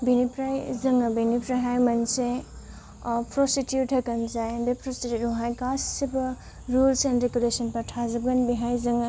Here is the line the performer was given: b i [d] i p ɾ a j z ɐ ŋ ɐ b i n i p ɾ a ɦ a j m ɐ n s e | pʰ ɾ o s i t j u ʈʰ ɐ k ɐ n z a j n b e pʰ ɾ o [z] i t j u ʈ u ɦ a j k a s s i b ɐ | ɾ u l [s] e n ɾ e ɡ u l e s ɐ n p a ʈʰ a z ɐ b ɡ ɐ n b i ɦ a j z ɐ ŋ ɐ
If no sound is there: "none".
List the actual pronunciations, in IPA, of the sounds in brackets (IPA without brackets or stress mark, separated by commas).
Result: n, s, s